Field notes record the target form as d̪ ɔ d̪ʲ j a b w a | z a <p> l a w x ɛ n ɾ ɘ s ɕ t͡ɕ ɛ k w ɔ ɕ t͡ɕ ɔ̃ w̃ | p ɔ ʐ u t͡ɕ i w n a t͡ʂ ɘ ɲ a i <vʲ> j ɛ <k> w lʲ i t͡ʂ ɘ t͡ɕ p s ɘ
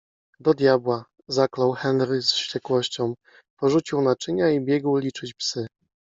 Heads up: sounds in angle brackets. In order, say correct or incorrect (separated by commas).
incorrect, incorrect, incorrect